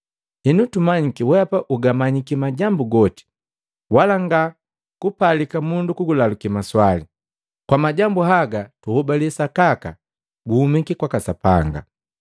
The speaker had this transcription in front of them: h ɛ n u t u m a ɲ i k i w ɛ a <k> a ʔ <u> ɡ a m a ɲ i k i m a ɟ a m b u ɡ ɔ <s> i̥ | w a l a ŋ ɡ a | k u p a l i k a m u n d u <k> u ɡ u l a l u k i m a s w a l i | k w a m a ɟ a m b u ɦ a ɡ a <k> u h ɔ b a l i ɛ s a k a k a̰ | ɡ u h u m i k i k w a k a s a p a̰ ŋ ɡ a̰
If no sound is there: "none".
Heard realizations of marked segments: p, u, t, k, t

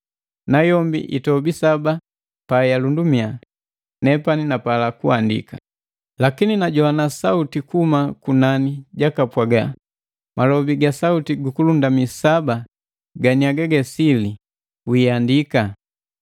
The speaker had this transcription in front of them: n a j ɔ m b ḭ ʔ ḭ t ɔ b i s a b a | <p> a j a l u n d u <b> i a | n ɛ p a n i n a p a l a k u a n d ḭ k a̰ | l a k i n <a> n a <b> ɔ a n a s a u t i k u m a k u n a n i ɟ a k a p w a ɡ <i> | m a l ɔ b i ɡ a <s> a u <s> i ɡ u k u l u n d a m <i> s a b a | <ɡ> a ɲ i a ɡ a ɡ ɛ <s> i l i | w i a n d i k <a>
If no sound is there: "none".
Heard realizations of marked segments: p, m, i, ɟ, a, s, t, i, ɡ, s, a

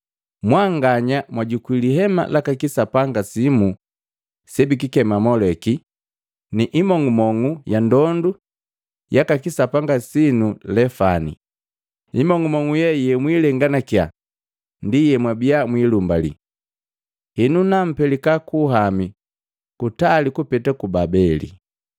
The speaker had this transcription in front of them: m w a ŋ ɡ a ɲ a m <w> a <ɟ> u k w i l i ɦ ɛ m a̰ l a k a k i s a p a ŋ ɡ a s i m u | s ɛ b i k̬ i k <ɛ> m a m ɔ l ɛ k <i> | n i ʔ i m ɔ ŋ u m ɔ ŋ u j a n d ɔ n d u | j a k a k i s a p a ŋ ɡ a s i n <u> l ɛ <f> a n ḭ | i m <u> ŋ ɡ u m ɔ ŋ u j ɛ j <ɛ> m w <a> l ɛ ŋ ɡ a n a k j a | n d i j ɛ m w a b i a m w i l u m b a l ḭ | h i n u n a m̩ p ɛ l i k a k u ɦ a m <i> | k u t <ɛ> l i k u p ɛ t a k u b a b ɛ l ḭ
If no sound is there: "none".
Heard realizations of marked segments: w, ɟ, ɛ, i, u, f, ɔ, ɛ, i, i, a

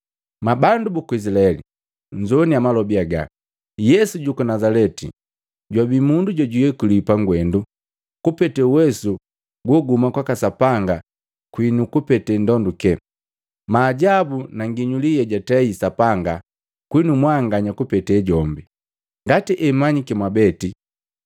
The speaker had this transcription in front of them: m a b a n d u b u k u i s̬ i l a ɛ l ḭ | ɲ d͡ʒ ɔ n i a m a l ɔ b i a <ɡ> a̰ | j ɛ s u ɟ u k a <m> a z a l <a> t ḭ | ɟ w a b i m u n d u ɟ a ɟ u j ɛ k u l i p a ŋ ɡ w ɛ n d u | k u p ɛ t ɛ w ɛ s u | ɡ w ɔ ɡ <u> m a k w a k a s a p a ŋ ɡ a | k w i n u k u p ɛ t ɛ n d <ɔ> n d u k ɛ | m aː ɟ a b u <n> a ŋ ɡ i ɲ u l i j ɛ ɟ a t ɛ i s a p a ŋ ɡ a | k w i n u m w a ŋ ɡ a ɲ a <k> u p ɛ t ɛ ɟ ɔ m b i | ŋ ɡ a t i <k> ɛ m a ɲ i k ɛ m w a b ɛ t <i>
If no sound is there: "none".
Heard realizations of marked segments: ɡ, n, ɛ, u, ɔ, n, k, ʔ, i

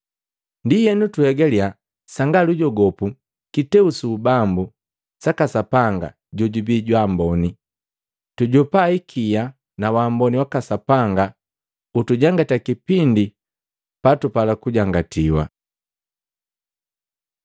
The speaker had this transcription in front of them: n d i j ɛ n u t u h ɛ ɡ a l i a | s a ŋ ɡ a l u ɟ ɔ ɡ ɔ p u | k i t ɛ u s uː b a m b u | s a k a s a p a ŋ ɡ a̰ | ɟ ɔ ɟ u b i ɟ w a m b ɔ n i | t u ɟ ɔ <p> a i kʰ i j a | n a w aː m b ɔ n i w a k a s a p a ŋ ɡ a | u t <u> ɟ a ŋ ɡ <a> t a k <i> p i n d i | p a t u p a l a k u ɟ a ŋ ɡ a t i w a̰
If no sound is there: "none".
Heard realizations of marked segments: p, u, a, i

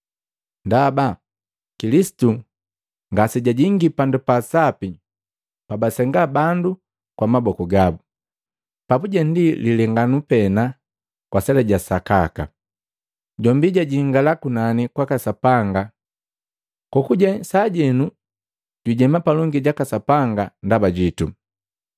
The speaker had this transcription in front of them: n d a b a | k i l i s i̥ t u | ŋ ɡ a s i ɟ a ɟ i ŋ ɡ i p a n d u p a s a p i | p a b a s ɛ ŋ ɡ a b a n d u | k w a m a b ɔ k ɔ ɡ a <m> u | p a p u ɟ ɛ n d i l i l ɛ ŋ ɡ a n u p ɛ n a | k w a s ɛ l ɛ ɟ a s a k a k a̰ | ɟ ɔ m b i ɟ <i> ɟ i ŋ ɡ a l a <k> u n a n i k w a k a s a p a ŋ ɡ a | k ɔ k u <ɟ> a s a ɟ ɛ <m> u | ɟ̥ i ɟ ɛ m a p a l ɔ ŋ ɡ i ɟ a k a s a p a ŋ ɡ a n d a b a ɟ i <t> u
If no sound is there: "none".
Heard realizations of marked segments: b, a, k, ɟ, n, t

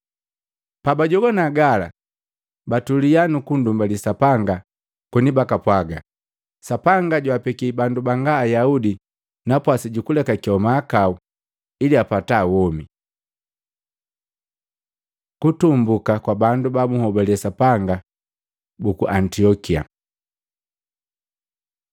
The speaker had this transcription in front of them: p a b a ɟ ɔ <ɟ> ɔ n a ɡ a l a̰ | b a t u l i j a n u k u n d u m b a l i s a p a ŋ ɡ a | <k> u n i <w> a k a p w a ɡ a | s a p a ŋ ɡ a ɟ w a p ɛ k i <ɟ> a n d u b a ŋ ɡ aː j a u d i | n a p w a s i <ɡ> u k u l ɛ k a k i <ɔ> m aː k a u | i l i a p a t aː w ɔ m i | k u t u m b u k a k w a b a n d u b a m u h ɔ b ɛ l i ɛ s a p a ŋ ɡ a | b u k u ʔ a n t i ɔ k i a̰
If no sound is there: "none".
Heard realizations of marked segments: ɡ, k, b, b, ɟ, ɔ

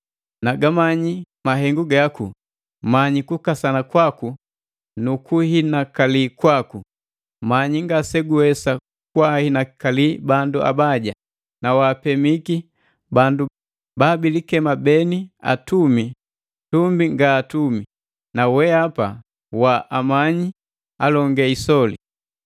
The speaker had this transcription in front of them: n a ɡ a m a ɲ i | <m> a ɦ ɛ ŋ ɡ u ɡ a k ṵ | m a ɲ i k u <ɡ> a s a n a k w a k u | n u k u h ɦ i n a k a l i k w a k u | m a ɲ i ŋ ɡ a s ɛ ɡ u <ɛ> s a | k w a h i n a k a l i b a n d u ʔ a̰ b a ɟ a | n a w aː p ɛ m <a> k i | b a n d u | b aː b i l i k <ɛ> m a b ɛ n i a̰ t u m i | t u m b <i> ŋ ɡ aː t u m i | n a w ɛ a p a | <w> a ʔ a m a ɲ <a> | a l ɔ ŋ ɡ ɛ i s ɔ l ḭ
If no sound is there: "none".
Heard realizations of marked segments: m, k, ɛ, i, ɛ, i, w, i

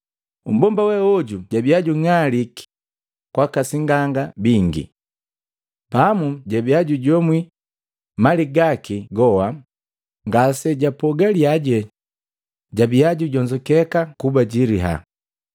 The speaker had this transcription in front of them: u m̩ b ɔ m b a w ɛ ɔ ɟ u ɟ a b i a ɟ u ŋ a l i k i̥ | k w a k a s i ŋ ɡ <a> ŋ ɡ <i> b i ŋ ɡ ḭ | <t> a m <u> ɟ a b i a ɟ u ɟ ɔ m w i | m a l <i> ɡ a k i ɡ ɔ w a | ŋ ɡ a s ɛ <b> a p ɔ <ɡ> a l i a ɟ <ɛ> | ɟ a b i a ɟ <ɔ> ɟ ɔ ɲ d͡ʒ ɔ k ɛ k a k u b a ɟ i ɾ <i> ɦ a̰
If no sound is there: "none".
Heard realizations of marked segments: a, a, p, u, i, ɟ, ɡ, ɛ, u, i

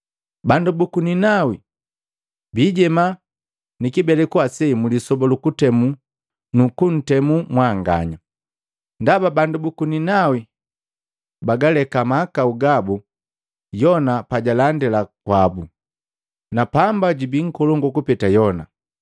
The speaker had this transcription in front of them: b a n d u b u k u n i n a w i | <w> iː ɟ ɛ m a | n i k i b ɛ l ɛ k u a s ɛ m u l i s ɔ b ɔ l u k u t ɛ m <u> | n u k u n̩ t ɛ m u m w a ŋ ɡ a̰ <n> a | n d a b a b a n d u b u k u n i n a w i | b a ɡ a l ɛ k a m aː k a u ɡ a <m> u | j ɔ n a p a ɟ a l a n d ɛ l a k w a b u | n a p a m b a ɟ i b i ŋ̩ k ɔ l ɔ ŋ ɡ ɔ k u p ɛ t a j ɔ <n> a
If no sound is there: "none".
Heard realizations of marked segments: b, u, ɲ, b, n

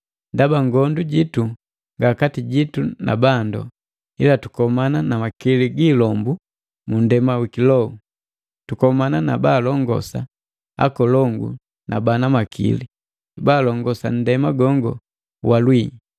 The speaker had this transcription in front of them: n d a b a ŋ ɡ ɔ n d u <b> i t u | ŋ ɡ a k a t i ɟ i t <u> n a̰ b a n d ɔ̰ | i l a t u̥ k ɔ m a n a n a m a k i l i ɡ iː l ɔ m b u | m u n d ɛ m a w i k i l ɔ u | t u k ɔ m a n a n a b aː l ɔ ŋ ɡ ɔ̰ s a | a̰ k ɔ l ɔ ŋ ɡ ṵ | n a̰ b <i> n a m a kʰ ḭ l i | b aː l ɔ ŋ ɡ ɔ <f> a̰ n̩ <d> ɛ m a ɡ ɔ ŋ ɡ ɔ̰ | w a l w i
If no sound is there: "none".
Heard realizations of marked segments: ɟ, u, a, s, d

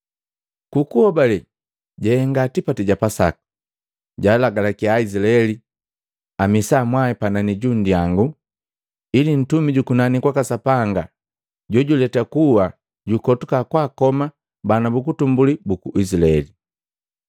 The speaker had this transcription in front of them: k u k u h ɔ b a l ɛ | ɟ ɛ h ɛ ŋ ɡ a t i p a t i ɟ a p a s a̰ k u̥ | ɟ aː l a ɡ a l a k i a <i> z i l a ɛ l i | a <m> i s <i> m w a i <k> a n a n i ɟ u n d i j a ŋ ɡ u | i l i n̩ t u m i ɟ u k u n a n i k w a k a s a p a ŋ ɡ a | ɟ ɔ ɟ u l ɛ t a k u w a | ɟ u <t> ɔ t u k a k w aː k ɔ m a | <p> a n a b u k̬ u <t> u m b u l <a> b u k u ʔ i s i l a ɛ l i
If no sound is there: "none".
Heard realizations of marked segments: i, m, a, p, k, b, t, i

